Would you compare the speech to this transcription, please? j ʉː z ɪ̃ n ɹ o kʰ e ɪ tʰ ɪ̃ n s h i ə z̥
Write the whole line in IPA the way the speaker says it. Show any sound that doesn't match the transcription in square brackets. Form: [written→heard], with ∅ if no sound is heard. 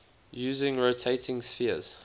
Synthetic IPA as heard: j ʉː z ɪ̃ [n→ŋ] ɹ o [kʰ→tʰ] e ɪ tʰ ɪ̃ [n→ŋ] s [h→f] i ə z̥